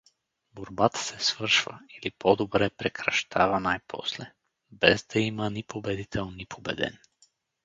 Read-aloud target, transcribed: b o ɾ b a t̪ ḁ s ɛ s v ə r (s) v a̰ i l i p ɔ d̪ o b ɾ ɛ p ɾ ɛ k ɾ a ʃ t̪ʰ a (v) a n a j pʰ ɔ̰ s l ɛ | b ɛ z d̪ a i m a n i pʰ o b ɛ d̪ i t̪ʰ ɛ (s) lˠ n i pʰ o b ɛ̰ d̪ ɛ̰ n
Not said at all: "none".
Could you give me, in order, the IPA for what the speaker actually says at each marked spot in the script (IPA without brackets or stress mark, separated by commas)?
ʃ, v, none